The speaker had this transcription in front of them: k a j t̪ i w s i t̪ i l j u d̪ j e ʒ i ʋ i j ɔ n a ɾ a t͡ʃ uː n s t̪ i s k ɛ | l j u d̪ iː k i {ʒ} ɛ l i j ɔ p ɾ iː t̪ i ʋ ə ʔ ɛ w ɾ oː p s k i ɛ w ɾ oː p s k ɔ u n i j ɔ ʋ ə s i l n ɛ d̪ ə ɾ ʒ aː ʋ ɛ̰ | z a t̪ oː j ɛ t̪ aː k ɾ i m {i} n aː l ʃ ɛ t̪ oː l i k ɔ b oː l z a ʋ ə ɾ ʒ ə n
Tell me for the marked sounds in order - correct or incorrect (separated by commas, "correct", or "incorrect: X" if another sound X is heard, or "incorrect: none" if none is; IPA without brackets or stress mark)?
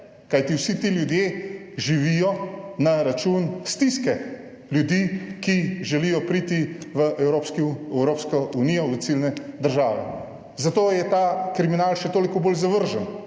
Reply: correct, correct